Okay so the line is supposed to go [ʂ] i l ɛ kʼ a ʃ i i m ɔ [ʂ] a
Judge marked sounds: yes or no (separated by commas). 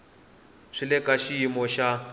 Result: yes, no